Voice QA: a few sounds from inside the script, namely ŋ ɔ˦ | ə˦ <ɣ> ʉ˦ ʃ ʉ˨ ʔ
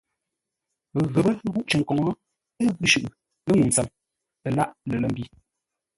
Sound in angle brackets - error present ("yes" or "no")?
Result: no